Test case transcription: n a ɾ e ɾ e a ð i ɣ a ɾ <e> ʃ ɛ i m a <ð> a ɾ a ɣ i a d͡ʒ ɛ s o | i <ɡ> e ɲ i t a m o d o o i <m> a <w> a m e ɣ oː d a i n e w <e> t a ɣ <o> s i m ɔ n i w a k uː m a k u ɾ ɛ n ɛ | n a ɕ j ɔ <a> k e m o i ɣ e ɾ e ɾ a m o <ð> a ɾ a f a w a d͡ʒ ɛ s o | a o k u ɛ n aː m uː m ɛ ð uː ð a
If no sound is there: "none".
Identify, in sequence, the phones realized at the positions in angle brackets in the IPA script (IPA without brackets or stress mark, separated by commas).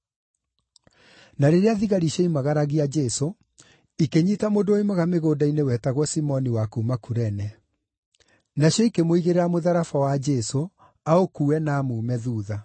i, ɣ, k, m, ɣ, ɛ, ɔ, i, ð